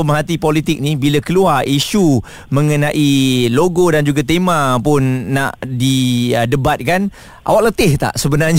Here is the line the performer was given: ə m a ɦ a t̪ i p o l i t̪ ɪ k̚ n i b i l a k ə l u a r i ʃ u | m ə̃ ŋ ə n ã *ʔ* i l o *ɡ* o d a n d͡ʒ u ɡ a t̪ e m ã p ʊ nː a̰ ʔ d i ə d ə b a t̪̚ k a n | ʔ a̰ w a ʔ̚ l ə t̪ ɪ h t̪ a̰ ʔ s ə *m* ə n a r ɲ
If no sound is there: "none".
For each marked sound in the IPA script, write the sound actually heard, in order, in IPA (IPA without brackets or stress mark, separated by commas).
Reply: ʔ, ɡ, b